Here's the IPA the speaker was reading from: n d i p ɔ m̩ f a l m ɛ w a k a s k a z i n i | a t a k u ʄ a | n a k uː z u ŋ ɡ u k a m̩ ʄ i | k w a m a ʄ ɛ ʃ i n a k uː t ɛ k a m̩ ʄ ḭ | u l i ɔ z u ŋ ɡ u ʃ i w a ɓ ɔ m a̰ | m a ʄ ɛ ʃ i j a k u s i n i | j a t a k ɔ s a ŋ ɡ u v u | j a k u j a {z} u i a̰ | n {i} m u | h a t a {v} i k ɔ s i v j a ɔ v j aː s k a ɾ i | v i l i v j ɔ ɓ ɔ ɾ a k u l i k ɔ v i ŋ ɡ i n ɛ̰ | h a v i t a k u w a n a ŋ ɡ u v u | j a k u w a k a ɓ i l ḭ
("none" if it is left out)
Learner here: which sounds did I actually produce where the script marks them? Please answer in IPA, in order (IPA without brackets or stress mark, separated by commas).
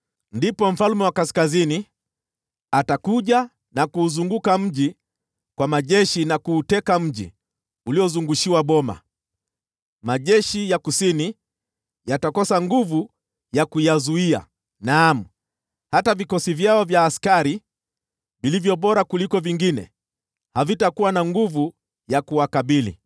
z, a, v